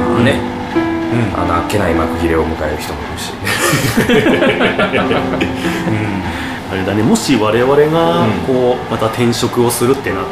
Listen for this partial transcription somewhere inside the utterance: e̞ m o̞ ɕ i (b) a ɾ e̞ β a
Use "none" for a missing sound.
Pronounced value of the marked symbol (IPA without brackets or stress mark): β